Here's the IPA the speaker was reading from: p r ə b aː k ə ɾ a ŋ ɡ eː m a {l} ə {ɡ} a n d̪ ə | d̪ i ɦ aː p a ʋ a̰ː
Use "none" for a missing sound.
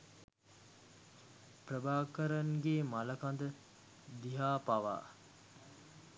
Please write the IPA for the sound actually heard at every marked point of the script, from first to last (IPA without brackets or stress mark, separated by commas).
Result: l, k